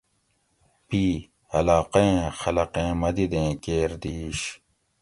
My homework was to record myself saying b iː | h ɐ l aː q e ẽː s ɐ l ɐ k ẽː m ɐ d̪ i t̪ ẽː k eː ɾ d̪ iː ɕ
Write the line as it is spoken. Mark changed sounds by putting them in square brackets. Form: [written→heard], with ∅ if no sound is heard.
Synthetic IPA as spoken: [b→p] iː | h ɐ l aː q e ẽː [s→x] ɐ l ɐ [k→q] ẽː m ɐ d̪ i [t̪→d̪] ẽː k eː ɾ d̪ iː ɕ